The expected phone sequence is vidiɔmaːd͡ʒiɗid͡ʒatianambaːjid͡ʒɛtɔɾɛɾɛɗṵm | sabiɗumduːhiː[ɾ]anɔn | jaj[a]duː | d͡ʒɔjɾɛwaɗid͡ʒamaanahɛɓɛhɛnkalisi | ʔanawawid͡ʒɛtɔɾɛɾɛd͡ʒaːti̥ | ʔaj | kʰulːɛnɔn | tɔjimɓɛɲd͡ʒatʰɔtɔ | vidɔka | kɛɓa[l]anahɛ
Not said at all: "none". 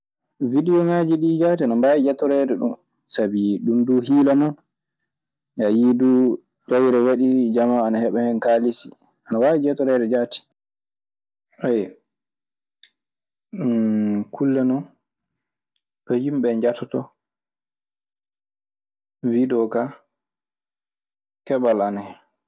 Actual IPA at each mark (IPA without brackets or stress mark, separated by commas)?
l, i, l